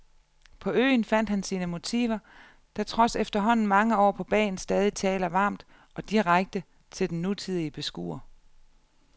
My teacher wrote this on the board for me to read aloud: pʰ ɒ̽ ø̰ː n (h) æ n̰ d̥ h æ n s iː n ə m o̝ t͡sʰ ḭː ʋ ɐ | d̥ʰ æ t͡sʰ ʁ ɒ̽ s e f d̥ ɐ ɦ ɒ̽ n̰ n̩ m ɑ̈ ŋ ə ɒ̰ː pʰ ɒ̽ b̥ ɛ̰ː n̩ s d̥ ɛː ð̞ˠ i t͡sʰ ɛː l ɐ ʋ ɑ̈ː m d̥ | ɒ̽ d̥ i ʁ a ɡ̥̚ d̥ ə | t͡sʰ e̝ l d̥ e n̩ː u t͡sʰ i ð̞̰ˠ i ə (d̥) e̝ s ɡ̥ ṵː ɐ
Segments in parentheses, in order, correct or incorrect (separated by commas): incorrect, incorrect